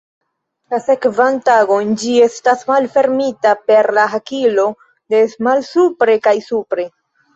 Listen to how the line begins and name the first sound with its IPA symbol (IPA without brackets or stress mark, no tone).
l